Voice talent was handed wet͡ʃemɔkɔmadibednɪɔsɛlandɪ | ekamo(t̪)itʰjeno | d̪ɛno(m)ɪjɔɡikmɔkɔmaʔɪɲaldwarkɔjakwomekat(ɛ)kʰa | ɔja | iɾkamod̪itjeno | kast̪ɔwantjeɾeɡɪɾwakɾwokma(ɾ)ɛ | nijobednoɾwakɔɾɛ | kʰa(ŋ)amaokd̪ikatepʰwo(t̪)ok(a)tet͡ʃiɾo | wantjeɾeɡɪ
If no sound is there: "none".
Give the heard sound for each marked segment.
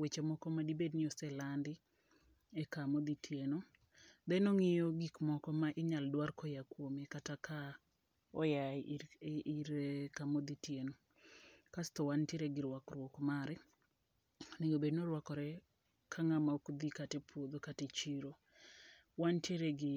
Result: d̪, ŋ, a, ɾ, ŋ, d̪, a

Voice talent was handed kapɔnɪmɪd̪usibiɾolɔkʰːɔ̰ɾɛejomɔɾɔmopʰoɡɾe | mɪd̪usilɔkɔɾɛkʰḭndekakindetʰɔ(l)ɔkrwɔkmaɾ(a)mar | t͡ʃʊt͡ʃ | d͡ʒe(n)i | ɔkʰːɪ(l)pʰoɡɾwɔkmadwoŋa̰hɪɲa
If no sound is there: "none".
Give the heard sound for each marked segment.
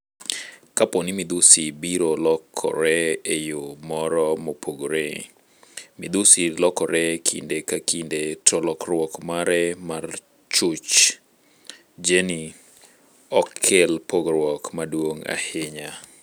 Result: l, ɛ, n, l

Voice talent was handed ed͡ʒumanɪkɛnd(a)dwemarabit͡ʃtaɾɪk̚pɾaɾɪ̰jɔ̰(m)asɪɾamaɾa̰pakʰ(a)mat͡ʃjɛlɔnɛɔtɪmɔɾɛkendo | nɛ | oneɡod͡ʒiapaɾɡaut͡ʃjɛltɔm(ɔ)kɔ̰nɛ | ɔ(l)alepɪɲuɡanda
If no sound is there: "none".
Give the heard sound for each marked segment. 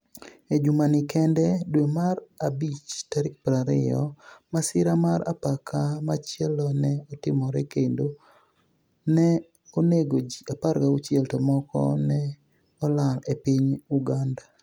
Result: ɛ, m, a, ɔ, l

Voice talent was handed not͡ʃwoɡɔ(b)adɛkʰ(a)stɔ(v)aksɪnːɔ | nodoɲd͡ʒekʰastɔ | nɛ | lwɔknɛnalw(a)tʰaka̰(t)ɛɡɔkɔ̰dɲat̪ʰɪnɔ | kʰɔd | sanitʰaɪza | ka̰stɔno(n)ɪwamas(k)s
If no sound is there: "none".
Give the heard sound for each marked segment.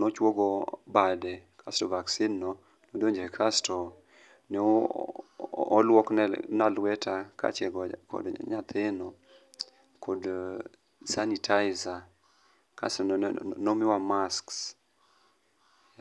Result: b, a, v, ɛ, t͡ʃ, m, k

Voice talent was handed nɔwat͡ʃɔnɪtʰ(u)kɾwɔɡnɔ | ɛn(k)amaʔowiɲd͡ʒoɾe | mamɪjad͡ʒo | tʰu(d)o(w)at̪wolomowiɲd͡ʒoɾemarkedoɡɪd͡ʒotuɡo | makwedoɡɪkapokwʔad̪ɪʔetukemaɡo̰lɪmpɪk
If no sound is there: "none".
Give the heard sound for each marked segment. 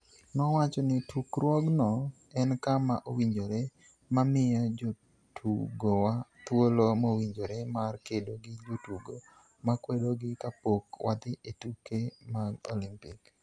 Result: u, k, ɡ, w

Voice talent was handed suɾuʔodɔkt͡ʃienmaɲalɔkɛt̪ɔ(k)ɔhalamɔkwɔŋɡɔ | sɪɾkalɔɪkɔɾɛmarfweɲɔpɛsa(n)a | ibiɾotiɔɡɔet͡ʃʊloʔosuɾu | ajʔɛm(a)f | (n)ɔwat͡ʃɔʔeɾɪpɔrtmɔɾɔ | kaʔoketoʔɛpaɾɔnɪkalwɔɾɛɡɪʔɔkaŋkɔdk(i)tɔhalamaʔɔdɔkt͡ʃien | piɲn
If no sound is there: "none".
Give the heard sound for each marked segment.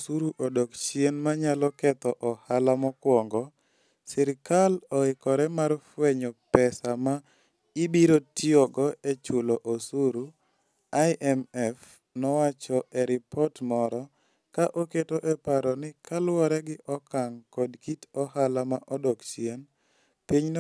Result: ʔ, m, ɛ, n, i

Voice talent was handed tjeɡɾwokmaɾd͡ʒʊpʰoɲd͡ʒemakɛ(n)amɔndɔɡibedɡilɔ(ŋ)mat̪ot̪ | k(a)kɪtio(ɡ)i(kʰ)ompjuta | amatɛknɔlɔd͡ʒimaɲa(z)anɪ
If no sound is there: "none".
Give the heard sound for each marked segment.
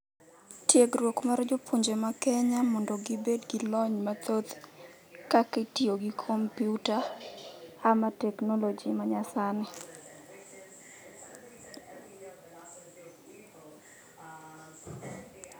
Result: ɲ, ɲ, a, ɡ, kʰ, s

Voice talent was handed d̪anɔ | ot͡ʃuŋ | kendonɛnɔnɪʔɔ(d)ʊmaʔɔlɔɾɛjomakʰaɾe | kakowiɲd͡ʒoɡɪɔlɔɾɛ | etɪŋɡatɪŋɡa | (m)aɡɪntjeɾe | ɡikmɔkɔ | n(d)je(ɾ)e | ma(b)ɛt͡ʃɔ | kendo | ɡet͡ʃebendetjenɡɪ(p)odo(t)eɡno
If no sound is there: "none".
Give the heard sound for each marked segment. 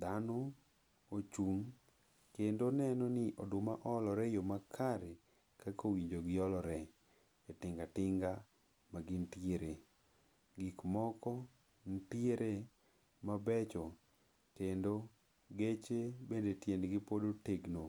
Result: d, m, t, ɾ, b, p, t

